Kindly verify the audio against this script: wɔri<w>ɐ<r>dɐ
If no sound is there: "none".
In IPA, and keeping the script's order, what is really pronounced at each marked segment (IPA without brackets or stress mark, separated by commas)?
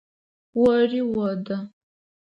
w, none